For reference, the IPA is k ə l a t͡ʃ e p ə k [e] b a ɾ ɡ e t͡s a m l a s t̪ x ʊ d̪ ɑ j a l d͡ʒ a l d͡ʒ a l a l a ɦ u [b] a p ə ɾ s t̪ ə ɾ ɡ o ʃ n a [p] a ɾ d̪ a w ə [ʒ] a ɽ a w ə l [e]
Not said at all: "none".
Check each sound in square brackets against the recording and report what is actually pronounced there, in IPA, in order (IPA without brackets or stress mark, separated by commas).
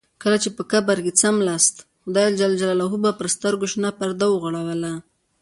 a, b, p, ɣ, a